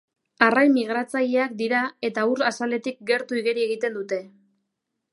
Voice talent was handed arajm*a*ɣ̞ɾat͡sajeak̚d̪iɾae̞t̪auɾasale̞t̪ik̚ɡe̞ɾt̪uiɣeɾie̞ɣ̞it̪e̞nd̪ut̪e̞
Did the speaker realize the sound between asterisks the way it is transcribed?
no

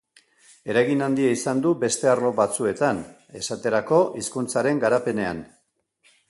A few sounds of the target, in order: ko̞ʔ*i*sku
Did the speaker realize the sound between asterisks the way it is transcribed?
yes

